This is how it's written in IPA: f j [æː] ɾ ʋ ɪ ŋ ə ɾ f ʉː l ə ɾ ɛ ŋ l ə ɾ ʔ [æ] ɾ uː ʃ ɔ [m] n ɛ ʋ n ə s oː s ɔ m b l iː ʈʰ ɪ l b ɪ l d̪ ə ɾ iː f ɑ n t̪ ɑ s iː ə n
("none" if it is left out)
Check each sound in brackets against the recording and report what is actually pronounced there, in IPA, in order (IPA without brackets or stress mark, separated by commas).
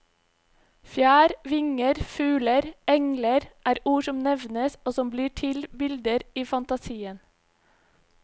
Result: æː, æː, m